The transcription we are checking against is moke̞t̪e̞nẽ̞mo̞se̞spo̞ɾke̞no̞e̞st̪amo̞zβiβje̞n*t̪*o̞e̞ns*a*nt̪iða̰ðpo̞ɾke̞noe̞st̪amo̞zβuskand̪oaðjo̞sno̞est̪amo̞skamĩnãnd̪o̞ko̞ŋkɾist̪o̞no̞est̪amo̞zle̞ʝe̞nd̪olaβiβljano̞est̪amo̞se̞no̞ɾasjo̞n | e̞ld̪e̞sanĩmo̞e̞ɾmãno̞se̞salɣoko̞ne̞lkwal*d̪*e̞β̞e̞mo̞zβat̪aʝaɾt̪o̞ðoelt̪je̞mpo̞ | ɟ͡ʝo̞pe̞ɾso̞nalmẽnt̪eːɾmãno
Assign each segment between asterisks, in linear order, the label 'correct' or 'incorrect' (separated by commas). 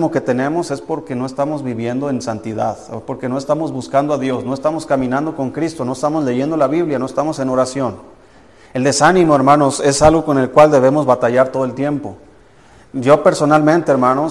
incorrect, correct, correct